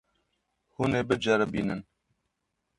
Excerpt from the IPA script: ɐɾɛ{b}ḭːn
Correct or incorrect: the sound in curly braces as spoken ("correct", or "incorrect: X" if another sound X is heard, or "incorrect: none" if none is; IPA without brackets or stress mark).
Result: correct